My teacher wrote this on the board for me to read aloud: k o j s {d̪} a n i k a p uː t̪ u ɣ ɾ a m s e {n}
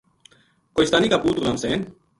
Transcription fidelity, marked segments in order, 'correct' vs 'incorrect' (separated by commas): incorrect, correct